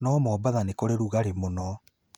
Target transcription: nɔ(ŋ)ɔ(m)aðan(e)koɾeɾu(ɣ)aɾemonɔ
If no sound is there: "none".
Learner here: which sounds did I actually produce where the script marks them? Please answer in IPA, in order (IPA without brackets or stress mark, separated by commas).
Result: m, b, e, ɣ